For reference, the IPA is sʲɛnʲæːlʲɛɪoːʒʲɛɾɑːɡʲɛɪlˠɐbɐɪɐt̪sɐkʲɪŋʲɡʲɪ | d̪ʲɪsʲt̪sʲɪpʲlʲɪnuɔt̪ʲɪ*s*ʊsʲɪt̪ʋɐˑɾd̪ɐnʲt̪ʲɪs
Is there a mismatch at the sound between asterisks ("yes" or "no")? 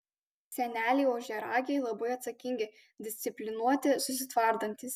no